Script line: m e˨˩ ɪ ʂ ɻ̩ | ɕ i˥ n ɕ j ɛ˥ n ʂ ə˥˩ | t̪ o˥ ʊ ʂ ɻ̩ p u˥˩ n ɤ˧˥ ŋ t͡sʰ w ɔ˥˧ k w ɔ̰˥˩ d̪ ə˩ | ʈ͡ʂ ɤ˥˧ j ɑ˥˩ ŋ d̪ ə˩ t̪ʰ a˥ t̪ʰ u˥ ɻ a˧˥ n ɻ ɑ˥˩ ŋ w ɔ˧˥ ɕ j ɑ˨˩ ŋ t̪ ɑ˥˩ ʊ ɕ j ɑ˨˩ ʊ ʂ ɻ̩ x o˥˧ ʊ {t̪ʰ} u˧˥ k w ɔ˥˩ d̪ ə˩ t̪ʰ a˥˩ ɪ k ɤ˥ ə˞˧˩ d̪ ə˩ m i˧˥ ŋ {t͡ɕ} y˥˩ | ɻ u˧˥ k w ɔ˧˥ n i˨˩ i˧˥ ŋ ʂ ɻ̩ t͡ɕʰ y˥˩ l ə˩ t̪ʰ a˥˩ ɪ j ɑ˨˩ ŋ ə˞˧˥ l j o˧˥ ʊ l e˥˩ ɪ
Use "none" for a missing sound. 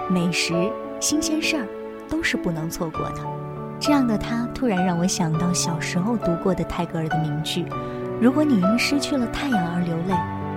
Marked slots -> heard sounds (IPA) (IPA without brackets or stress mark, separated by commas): t̪, t͡ɕ